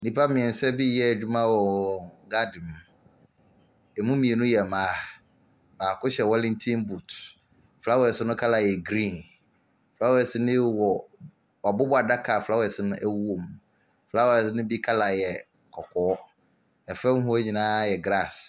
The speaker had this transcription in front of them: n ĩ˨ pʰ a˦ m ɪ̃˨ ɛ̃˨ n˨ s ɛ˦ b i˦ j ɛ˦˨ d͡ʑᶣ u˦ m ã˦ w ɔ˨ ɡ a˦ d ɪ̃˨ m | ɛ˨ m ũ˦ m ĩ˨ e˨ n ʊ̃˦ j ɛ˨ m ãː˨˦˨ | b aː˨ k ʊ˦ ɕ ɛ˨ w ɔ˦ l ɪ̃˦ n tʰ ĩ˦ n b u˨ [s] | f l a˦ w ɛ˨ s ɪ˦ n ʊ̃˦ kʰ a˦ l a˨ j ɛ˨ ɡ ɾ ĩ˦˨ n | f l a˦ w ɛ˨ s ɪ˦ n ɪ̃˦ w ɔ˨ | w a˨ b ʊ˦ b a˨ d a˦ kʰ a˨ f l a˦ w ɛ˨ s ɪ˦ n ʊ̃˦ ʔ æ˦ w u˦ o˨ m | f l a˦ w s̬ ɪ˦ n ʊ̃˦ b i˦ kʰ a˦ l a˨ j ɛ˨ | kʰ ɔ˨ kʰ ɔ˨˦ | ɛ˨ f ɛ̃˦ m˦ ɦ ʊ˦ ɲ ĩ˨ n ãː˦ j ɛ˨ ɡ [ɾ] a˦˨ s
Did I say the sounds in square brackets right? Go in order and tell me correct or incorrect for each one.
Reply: incorrect: t, correct

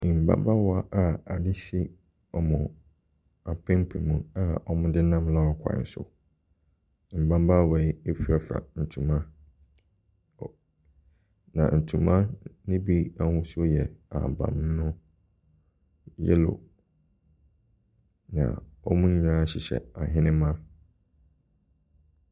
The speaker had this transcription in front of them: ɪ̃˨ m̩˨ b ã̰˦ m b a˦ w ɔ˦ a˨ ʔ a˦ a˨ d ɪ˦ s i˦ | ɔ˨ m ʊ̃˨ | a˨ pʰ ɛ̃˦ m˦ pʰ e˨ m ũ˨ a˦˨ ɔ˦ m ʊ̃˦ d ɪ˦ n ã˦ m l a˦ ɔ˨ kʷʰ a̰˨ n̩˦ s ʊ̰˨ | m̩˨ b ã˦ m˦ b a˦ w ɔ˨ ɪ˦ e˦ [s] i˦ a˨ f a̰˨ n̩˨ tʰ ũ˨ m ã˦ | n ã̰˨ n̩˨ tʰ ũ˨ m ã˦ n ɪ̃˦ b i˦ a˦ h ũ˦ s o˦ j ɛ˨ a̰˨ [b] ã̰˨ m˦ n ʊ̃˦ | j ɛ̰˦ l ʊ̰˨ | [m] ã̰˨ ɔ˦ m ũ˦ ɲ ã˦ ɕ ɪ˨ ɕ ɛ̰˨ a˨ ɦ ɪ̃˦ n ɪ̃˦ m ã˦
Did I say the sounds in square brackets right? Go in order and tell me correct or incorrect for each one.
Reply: incorrect: f, correct, incorrect: n

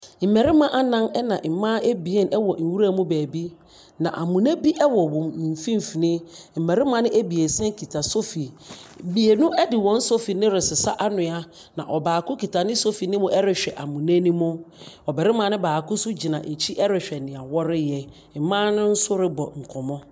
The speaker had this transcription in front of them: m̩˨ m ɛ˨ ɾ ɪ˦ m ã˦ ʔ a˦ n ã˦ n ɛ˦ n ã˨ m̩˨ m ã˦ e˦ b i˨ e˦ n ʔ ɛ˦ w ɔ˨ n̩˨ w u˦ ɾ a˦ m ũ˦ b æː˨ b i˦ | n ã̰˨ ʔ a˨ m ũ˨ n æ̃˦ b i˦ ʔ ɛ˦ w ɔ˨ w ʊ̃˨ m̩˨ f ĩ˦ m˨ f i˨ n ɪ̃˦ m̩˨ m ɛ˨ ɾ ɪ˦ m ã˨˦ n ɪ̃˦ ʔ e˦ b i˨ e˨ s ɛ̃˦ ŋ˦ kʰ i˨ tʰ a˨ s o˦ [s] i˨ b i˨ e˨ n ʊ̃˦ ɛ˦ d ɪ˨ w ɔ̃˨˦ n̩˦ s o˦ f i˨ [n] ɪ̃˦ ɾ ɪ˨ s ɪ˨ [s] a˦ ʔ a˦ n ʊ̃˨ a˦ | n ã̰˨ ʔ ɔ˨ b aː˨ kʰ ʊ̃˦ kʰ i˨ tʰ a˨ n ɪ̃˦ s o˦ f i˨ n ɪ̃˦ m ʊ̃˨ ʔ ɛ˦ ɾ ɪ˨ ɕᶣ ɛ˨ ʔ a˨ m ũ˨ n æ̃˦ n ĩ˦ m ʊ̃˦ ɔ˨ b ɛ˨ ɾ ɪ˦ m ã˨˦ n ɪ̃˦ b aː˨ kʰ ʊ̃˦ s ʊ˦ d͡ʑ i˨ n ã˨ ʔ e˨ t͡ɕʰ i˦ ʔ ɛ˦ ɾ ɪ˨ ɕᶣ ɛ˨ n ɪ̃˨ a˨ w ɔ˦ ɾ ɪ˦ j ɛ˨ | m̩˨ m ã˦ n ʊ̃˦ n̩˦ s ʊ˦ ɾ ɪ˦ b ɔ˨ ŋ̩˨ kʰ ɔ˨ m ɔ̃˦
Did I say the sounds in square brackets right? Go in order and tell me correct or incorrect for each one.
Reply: incorrect: f, correct, correct

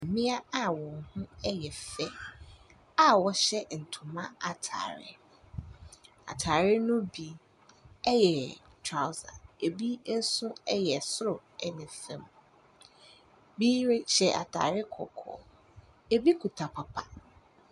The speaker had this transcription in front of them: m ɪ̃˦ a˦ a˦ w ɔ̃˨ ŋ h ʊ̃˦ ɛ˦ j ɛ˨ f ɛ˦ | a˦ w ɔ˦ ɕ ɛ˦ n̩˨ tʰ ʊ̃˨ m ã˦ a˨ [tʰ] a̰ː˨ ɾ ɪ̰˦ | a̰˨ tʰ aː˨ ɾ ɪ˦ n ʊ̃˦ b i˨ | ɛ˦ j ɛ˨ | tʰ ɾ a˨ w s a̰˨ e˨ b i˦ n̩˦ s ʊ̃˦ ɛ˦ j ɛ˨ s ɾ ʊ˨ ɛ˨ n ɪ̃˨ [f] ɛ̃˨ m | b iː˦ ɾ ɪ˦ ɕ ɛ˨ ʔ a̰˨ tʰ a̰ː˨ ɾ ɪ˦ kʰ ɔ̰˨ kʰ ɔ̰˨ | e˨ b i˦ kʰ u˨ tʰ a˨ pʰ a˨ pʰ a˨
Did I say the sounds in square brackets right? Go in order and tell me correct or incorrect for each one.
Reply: correct, correct

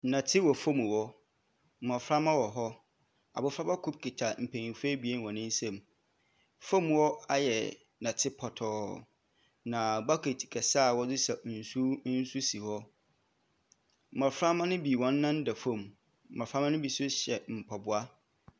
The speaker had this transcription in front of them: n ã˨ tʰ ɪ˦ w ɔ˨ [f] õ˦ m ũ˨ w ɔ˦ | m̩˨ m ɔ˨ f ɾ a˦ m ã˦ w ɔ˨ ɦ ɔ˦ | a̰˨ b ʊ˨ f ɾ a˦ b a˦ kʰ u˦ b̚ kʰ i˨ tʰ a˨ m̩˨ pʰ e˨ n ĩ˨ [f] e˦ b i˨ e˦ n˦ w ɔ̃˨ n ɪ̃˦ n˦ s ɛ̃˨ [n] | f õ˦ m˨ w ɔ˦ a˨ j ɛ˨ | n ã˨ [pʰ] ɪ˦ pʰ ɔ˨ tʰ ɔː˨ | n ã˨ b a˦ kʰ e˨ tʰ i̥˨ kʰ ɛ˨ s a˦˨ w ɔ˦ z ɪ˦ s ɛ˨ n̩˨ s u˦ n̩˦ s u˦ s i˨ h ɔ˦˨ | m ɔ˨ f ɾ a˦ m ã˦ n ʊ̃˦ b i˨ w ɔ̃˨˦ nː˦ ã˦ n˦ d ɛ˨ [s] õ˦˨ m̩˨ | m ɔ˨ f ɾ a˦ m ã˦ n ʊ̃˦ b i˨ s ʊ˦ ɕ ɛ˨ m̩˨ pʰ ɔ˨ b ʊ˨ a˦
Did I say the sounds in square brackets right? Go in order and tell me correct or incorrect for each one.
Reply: correct, correct, incorrect: m, incorrect: tʰ, incorrect: f

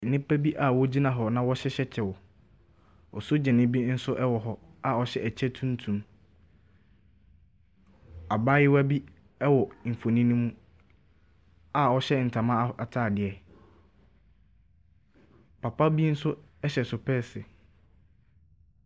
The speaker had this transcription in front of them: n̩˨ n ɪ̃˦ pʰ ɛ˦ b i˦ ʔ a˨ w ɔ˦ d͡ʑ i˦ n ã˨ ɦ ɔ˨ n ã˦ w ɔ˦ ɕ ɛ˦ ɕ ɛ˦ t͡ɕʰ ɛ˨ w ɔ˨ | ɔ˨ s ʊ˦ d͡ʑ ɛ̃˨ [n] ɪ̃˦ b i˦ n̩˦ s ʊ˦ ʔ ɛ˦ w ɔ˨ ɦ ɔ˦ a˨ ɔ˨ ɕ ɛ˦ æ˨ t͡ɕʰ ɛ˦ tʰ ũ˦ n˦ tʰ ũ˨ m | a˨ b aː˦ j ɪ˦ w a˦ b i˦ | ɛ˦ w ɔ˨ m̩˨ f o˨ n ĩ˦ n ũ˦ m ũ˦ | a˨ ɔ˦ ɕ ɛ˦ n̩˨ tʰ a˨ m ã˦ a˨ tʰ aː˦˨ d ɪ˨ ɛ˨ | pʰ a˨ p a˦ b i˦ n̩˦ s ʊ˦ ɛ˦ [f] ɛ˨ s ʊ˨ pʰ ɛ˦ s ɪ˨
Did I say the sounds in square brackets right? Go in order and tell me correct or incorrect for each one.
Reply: correct, incorrect: ɕ

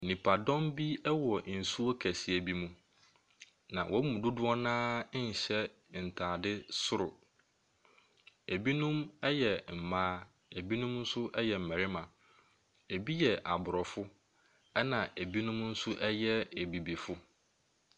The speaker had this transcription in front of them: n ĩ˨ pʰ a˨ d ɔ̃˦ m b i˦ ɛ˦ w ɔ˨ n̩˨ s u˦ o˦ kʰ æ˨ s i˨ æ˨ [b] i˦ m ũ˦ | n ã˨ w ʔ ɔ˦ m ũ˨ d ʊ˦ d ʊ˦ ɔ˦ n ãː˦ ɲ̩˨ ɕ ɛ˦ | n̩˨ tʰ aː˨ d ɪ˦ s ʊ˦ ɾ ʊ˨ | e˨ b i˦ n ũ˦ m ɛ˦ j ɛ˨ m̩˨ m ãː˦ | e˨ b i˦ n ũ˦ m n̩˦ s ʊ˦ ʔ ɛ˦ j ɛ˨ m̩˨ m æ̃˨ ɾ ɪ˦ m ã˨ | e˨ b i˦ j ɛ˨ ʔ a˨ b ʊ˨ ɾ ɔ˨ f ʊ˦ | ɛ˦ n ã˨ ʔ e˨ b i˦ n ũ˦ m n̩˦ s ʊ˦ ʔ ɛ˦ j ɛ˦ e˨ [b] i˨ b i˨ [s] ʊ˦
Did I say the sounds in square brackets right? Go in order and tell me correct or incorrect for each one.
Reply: correct, correct, incorrect: f

